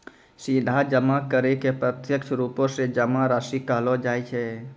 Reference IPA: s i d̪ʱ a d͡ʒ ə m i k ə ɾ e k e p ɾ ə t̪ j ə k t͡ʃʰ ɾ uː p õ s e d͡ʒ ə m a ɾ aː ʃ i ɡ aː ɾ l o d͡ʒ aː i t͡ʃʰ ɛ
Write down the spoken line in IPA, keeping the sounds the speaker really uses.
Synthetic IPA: s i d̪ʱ a d͡ʒ ə m a k ə ɾ e k e p ɾ ə t̪ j ə k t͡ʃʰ ɾ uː p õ s e d͡ʒ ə m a ɾ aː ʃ i k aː l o d͡ʒ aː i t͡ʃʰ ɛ